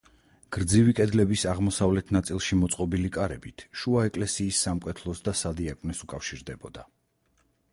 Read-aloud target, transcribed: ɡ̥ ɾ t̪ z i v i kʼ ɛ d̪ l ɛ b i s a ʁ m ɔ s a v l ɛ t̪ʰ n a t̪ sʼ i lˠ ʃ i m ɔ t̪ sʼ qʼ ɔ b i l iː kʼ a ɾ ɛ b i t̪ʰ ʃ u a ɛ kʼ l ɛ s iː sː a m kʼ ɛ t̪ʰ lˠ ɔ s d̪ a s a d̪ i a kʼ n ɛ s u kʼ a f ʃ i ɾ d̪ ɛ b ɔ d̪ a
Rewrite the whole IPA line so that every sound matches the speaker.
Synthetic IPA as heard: ɡ̥ ɾ d̪ z i v i kʼ ɛ d̪ l ɛ b i s a ʁ m ɔ s a v l ɛ t̪ʰ n a t̪ sʼ i lˠ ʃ i m ɔ t̪ sʼ qʼ ɔ b i l i kʼ a ɾ ɛ b i t̪ʰ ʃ u a ɛ kʼ l ɛ s iː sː a m kʼ ɛ t̪ʰ lˠ ɔ s d̪ a s a d̪ i a kʼ n ɛ s u kʼ a f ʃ i ɾ d̪ ɛ b ɔ d̪ a